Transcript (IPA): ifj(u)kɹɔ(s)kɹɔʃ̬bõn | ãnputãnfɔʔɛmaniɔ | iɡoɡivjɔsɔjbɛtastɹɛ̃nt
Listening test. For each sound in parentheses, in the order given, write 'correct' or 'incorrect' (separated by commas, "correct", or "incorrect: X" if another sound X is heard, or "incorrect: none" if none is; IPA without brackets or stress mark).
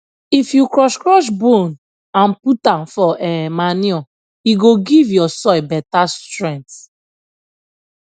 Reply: correct, incorrect: ʃ